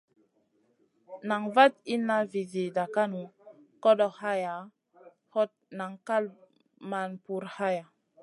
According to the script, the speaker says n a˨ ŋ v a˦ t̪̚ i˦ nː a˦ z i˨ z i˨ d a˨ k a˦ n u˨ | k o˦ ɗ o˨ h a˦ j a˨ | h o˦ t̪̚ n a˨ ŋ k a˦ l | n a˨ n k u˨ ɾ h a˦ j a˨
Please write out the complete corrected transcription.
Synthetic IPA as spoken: n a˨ ŋ v a˦ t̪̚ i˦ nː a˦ v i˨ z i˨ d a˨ k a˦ n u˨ | k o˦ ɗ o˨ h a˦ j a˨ | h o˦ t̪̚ n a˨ ŋ k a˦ l | m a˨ n p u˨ ɾ h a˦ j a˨